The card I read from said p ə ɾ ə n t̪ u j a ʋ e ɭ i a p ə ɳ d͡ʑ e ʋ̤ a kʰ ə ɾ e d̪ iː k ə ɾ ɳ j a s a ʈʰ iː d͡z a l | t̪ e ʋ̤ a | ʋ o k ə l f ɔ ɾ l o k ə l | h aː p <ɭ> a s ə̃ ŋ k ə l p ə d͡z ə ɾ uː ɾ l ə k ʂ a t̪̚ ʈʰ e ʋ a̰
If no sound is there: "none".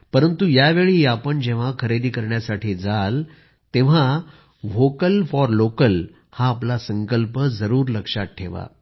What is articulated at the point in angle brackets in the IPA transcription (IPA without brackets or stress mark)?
l